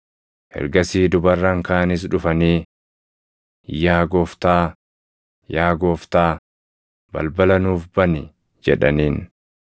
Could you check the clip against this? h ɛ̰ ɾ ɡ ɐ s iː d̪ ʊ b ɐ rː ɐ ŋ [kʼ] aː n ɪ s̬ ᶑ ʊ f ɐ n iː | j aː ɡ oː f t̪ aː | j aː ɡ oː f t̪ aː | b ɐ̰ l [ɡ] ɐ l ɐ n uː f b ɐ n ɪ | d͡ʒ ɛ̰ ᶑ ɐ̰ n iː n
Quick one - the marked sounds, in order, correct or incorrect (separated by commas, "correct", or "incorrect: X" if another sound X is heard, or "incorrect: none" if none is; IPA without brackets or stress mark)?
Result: incorrect: k, incorrect: b